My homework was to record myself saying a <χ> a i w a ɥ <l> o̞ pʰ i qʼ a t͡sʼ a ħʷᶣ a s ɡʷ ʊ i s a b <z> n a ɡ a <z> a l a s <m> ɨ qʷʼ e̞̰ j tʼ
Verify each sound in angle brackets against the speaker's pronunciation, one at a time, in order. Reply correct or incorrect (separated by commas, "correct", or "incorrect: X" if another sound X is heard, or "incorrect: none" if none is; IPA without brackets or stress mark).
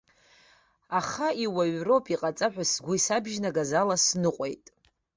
correct, incorrect: r, incorrect: ʒ, correct, incorrect: n